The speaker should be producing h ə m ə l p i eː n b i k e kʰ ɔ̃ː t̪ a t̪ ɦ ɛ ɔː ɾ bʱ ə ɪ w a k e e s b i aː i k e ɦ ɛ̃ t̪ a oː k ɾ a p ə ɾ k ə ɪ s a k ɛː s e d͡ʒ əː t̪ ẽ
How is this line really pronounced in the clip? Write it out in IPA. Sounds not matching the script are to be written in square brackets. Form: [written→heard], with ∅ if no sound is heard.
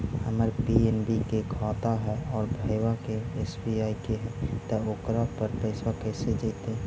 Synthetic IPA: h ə m ə [l→ɾ] p i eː n b i k e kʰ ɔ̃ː t̪ a [t̪→∅] ɦ ɛ ɔː ɾ bʱ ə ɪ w a k e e s b i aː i k e ɦ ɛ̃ t̪ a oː k ɾ a p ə ɾ [k→p] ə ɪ s a k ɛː s e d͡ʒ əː t̪ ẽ